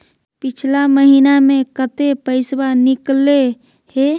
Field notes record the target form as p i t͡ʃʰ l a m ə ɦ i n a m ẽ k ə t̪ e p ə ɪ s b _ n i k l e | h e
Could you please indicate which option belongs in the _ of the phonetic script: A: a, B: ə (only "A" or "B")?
A